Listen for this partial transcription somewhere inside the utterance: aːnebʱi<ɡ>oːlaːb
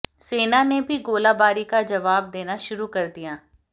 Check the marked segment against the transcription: correct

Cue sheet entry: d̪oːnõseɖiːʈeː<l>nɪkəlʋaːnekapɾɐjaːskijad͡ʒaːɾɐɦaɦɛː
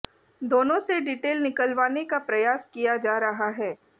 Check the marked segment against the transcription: correct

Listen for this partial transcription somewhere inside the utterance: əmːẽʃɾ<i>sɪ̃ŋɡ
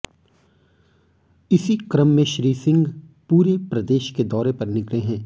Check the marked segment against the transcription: incorrect: iː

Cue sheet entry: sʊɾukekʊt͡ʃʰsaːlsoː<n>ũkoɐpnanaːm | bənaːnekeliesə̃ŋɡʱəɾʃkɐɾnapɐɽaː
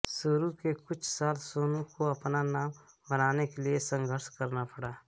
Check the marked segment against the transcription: correct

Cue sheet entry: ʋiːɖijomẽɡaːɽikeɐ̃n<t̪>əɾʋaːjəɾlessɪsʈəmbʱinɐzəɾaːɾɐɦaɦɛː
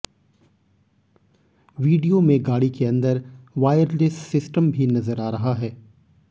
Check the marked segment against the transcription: incorrect: d̪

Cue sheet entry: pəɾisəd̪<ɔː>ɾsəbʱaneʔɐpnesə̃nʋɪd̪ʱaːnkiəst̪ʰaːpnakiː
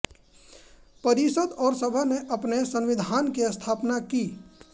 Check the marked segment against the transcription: correct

